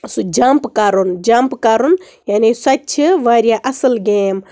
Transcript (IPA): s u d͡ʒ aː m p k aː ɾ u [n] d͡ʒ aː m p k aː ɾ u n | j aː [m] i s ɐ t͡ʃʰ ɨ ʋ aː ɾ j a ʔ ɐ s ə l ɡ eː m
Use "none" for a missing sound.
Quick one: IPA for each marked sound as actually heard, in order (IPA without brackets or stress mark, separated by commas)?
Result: n, n